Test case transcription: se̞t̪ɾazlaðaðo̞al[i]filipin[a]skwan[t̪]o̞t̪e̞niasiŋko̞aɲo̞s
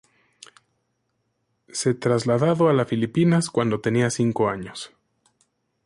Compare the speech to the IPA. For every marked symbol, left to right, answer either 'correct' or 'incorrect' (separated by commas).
incorrect, correct, incorrect